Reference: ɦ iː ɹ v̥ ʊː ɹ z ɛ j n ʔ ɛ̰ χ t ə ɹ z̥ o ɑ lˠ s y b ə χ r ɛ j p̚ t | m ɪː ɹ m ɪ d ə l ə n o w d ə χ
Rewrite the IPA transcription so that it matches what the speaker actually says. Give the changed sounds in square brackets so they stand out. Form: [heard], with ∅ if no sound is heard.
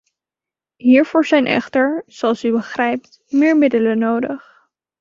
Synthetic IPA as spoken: ɦ iː ɹ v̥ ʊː ɹ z ɛ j n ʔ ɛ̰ χ t ə ɹ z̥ o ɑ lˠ s y b ə χ r ɛ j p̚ t | m ɪː ɹ m ɪ d ə l ə n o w d ə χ